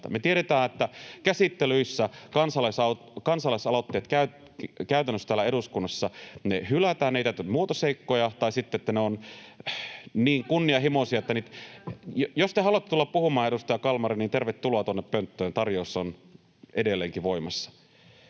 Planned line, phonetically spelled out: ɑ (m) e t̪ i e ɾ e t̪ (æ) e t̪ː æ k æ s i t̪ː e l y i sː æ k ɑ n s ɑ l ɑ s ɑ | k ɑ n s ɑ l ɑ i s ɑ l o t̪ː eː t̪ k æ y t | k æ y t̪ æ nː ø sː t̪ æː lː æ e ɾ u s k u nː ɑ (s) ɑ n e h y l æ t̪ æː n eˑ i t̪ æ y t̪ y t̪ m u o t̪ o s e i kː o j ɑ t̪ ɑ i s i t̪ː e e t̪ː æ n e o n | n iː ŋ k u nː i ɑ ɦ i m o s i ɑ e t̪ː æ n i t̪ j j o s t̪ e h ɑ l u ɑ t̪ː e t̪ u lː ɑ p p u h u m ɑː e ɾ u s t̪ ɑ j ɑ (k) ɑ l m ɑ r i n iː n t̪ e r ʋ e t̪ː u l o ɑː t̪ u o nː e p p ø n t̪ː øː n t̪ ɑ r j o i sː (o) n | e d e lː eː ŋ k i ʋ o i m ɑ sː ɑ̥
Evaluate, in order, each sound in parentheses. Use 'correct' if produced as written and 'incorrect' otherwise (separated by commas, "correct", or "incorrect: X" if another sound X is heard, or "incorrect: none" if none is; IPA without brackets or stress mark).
correct, incorrect: æː, incorrect: sː, correct, correct